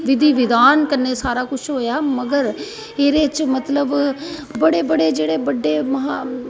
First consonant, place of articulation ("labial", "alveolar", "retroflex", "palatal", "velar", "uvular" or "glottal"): labial